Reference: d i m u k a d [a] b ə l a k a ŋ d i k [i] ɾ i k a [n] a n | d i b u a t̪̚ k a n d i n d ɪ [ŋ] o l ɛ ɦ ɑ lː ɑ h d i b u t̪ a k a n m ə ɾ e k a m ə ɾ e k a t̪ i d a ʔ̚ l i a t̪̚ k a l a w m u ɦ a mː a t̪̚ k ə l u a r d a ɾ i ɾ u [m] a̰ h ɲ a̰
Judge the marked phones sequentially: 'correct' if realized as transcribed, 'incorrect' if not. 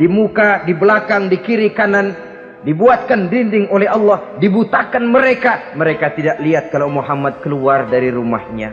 incorrect: i, correct, correct, correct, correct

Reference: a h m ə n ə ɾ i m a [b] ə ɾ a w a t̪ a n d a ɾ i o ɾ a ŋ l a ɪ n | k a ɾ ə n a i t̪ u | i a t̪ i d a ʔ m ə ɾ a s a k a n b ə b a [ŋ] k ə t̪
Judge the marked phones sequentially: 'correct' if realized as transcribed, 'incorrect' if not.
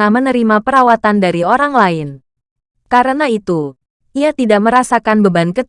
incorrect: p, incorrect: n

